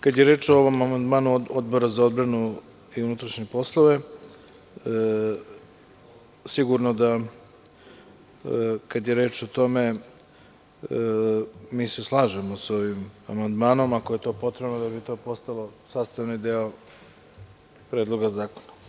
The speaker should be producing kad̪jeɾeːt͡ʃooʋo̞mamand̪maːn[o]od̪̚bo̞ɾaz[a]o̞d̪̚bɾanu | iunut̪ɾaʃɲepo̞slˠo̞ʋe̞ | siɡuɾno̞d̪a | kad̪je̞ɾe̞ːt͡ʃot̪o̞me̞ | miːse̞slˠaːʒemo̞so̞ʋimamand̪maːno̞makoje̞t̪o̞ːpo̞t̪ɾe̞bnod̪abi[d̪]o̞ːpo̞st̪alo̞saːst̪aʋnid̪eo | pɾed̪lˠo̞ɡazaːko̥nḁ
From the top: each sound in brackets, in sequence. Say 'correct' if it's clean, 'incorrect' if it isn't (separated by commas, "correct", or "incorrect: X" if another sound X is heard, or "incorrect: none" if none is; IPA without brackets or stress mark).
incorrect: u, correct, incorrect: t̪